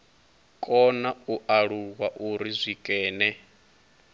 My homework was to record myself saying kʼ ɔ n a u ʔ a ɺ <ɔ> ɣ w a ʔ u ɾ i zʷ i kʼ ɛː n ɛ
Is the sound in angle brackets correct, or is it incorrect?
incorrect